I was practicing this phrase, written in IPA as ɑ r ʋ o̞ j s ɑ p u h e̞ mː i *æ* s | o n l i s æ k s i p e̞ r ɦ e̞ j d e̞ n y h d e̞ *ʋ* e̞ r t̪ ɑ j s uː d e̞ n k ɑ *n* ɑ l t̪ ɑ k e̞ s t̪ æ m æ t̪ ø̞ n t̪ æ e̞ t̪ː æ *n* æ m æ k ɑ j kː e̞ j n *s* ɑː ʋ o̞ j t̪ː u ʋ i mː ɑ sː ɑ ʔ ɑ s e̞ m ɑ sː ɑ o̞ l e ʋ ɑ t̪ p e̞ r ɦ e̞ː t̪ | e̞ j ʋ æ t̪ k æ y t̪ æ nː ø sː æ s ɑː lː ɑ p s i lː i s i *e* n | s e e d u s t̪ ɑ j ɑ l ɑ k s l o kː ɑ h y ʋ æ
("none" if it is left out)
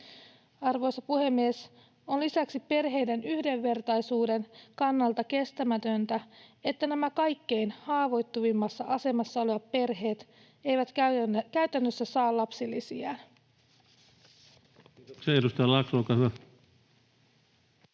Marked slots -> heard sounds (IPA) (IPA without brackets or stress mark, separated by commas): e, ʋː, nː, n, h, æ